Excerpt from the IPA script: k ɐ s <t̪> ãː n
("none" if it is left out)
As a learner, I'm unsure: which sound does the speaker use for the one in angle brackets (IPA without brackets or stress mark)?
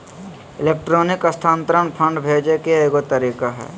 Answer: t̪ʰ